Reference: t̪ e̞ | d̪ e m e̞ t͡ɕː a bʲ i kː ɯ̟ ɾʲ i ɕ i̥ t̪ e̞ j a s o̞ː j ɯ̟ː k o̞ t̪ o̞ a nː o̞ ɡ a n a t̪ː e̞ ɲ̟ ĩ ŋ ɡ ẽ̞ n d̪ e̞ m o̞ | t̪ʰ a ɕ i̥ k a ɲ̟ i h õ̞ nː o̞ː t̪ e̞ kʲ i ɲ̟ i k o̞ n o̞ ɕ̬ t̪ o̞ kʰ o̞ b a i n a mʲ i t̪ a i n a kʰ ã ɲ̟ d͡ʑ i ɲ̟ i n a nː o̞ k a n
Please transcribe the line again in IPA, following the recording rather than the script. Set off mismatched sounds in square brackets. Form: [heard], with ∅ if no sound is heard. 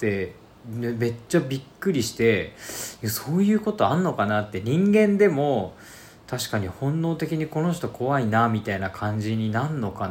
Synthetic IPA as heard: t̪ e̞ | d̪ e m e̞ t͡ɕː a bʲ i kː ɯ̟ ɾʲ i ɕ i̥ t̪ e̞ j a s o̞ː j ɯ̟ː k o̞ t̪ o̞ a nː o̞ [k] a n a t̪ː e̞ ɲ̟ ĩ ŋ ɡ ẽ̞ n d̪ e̞ m o̞ | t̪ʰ a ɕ i̥ k a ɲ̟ i h õ̞ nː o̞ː t̪ e̞ kʲ i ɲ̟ i k o̞ n o̞ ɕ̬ t̪ o̞ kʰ o̞ [β] a i n a mʲ i t̪ a i n a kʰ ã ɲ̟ d͡ʑ i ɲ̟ i n a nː o̞ k a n